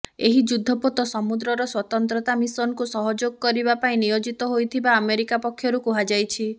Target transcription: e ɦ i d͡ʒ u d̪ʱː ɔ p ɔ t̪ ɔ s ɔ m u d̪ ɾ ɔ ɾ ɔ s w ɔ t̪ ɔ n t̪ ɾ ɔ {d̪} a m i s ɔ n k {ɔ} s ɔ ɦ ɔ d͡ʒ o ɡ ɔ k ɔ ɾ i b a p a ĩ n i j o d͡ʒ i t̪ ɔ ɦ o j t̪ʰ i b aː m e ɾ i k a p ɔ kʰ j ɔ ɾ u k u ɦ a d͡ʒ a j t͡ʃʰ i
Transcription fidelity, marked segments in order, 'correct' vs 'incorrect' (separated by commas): incorrect, incorrect